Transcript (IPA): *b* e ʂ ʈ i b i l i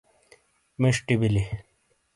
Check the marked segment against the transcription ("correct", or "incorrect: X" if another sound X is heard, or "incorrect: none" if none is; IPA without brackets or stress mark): incorrect: m